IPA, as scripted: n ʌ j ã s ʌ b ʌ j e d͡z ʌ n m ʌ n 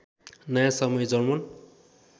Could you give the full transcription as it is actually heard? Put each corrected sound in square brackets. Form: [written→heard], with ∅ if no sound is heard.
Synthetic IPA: n ʌ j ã s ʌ [b→m] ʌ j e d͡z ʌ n m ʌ n

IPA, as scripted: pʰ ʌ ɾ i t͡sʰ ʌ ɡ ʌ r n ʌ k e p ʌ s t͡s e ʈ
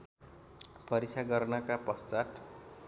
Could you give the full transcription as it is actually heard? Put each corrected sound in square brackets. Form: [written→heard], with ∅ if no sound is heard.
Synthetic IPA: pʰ ʌ ɾ i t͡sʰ [ʌ→a] ɡ ʌ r n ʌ k [e→a] p ʌ s t͡s [e→a] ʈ

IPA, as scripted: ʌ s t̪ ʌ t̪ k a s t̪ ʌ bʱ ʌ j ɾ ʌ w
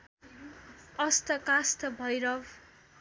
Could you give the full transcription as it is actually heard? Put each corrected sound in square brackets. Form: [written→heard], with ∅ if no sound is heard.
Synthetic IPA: ʌ s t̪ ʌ [t̪→∅] k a s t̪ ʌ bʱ ʌ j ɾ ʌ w

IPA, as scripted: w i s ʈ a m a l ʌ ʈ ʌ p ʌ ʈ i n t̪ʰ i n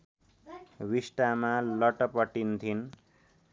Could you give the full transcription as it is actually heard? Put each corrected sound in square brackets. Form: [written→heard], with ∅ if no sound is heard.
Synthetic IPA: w i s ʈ a m a l ʌ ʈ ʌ p ʌ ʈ i n t̪ʰ i n

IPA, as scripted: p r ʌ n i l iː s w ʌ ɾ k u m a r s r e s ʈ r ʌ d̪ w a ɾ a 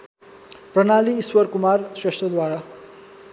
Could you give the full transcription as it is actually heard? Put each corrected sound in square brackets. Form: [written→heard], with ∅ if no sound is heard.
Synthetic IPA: p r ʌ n [i→a] l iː s w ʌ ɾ k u m a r s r e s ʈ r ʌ d̪ w a ɾ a

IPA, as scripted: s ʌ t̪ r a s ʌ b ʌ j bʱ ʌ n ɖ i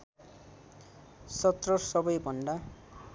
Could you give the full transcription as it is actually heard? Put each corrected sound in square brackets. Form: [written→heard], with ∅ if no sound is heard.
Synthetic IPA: s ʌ t̪ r [a→ʌ] s ʌ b ʌ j bʱ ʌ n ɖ [i→a]

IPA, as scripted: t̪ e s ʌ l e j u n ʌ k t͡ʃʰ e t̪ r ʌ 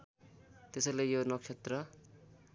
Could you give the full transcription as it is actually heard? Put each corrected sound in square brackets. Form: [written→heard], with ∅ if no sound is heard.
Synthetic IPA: t̪ e s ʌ l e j [u→o] n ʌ k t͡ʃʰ e t̪ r ʌ

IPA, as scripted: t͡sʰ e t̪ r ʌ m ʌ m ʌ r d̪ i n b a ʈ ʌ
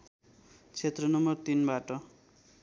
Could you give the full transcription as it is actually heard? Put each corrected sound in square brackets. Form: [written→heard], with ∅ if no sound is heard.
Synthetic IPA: t͡sʰ e t̪ r ʌ [m→n] ʌ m ʌ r [d̪→t̪] i n b a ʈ ʌ

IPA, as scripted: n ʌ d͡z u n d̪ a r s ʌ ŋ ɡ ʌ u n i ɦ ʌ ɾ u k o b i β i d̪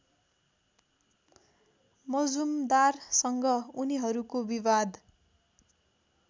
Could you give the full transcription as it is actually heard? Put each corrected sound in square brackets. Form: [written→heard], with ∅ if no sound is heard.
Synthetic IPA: [n→m] ʌ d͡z u [n→m] d̪ a r s ʌ ŋ ɡ ʌ u n i ɦ ʌ ɾ u k o b i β [i→a] d̪

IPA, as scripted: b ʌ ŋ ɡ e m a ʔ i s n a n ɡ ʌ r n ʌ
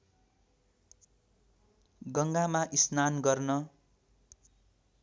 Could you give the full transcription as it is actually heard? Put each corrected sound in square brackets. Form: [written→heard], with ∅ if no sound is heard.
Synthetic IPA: [b→ɡ] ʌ ŋ ɡ [e→a] m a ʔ i s n a n ɡ ʌ r n ʌ

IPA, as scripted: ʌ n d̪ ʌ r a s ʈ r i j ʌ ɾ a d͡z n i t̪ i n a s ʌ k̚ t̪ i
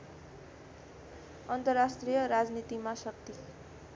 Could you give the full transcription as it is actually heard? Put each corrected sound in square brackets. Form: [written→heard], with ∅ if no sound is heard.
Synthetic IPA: ʌ n [d̪→t̪] ʌ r a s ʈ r i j ʌ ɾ a d͡z n i t̪ i [n→m] a s ʌ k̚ t̪ i

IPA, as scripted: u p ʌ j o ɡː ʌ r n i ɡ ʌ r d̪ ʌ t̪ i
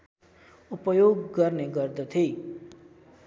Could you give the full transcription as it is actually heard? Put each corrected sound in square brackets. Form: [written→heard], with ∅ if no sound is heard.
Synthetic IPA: u p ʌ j o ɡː ʌ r n [i→e] ɡ ʌ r d̪ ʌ [t̪→t̪ʰ] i

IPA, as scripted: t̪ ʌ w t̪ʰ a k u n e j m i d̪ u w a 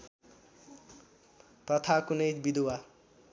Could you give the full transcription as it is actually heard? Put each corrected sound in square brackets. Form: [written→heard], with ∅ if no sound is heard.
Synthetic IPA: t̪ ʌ [w→∅] t̪ʰ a k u n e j [m→b] i d̪ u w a

